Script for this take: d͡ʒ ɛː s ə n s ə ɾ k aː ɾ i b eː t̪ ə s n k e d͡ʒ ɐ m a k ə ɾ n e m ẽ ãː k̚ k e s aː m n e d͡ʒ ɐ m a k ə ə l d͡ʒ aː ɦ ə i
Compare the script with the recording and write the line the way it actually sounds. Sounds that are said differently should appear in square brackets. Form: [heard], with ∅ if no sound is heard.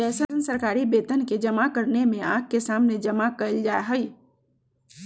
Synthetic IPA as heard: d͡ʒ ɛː s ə n s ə ɾ k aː ɾ i b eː t̪ ə [∅] n k e d͡ʒ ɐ m a k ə ɾ n e m ẽ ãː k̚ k e s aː m n e d͡ʒ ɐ m a k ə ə l d͡ʒ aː ɦ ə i